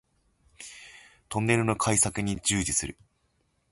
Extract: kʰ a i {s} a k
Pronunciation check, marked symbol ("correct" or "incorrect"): correct